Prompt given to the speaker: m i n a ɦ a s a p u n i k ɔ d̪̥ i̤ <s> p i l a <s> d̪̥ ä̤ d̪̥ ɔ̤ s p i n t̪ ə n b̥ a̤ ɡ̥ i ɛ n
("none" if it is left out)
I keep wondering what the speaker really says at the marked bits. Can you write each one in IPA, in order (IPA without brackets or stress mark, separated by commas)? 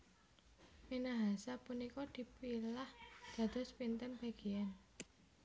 none, h